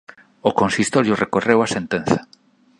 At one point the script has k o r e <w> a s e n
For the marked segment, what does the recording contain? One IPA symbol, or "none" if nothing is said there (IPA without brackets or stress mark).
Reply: w